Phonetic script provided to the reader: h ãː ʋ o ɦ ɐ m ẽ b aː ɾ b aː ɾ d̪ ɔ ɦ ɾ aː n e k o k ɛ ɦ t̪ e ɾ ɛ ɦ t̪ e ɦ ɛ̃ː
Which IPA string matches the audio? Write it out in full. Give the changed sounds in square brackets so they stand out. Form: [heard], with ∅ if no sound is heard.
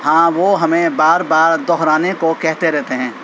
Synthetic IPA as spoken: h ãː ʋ o ɦ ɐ m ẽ b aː ɾ b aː ɾ d̪ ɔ ɦ ɾ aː n e k o k ɛ ɦ t̪ e ɾ ɛ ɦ t̪ e ɦ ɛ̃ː